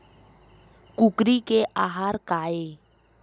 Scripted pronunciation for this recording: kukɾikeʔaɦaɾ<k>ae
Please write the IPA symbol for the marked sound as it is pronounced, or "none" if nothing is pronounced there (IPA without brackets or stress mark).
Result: k